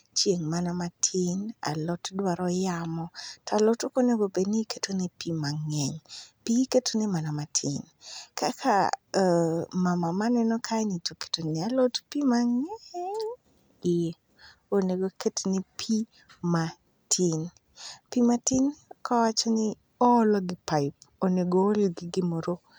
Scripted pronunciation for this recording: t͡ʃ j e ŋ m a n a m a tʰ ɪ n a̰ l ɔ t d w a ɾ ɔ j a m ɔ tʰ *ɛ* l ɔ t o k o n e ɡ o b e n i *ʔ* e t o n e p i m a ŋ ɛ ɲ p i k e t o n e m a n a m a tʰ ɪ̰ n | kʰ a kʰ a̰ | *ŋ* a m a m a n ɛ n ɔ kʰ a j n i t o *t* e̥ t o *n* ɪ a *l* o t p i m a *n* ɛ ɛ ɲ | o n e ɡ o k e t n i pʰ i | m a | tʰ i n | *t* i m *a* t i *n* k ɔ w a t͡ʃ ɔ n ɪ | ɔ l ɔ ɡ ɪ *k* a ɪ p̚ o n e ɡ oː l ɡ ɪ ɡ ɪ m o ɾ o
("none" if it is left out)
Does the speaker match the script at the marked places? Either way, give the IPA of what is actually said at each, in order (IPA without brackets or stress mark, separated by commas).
a, k, m, k, n, l, ŋ, p, a, n, p